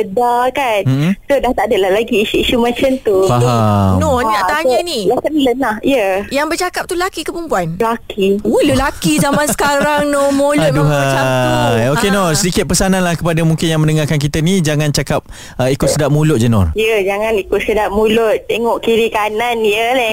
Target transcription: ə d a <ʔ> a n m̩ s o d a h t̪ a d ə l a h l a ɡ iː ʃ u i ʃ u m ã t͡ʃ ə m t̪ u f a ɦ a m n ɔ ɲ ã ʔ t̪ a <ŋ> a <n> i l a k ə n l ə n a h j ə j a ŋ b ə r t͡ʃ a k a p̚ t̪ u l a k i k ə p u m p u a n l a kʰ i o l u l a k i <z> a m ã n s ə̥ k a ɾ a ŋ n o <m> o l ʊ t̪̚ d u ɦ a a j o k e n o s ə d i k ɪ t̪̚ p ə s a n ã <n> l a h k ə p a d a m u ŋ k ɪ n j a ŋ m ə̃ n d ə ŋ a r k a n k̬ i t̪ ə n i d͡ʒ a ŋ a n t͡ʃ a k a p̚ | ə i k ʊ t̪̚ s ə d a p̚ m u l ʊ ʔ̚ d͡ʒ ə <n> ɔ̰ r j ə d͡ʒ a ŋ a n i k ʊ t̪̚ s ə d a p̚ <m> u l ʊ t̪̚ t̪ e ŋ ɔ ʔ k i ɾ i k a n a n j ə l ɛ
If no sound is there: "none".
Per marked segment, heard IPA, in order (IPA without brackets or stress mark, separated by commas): k, ɲ, n, z, m, n, n, m